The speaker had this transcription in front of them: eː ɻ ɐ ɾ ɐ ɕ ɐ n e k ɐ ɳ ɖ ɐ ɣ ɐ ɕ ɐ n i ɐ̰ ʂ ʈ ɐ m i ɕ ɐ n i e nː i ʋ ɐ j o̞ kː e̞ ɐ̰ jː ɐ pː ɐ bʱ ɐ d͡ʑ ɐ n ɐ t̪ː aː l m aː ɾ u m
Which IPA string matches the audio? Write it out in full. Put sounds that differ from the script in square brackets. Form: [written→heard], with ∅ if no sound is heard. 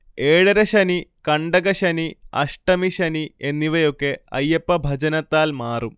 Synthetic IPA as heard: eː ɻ ɐ ɾ ɐ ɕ ɐ n [e→i] k ɐ ɳ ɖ ɐ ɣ ɐ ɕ ɐ n i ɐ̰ ʂ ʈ ɐ m i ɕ ɐ n i e nː i ʋ ɐ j o̞ kː e̞ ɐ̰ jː ɐ pː ɐ bʱ ɐ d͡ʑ ɐ n ɐ t̪ː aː l m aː [ɾ→r] u m